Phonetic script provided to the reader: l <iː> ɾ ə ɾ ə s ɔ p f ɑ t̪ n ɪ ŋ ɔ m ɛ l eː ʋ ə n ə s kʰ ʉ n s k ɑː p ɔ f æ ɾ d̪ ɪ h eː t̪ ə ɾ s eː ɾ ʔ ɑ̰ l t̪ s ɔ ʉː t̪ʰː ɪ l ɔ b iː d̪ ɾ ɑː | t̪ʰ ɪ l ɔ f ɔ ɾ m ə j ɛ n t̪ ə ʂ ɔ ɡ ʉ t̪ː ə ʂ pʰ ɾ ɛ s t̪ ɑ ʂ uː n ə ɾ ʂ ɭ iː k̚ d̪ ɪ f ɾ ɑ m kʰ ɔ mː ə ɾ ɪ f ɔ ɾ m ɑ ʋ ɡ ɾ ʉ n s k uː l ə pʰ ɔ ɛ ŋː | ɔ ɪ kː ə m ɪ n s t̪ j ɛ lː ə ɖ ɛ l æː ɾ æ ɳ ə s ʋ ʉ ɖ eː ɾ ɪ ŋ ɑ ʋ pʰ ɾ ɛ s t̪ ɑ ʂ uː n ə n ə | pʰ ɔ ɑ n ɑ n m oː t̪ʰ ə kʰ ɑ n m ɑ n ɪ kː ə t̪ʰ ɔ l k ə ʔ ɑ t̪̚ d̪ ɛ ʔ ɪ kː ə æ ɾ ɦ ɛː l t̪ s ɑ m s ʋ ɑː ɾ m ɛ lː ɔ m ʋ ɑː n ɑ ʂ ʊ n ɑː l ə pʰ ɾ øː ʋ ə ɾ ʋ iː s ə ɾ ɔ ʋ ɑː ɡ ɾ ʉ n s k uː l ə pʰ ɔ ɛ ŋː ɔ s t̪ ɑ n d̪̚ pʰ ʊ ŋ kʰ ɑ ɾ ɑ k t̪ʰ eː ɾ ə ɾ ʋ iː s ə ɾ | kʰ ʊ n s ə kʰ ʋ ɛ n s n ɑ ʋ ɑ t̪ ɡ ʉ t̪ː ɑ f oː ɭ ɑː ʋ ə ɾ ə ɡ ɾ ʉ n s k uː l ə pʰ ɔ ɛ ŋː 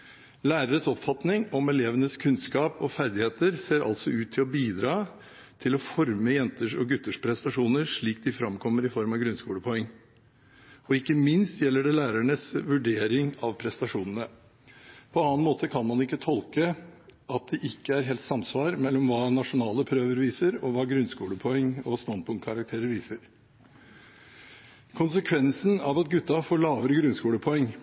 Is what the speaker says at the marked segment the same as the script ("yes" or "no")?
no